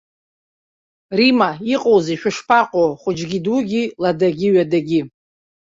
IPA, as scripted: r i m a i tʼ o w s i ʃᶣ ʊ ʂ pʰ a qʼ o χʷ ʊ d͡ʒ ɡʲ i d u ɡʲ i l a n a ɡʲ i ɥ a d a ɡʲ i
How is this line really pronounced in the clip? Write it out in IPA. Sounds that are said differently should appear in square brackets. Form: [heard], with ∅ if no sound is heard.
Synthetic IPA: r i m a i [qʼ] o w [z] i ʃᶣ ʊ ʂ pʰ a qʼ o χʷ ʊ d͡ʒ ɡʲ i d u ɡʲ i l a [d] a ɡʲ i ɥ a d a ɡʲ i